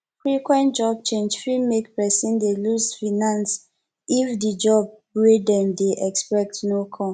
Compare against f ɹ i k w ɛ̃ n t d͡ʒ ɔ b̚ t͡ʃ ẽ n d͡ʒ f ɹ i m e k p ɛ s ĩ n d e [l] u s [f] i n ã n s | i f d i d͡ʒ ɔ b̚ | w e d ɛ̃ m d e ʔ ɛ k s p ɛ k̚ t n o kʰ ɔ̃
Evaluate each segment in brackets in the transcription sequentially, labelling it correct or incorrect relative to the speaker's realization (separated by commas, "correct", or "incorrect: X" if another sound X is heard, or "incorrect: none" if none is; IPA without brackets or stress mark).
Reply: correct, correct